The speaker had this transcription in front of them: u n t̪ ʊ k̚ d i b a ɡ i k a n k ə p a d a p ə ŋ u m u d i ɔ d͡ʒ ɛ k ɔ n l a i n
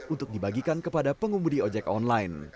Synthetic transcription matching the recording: u n t̪ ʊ k̚ d i b a ɡ i k a n k ə p a d a p ə ŋ u m u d i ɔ d͡ʒ ɛ k ɔ n l a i n